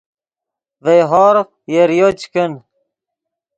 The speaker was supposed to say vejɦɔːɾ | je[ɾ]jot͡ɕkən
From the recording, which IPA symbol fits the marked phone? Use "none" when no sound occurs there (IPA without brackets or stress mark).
ɾ